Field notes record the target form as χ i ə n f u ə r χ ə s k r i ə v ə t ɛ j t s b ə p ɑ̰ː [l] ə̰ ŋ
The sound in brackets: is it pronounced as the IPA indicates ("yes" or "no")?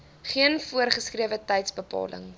yes